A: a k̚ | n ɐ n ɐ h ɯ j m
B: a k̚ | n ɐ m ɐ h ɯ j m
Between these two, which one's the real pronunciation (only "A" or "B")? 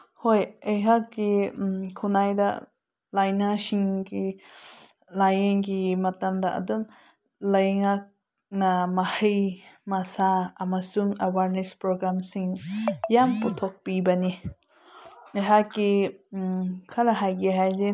B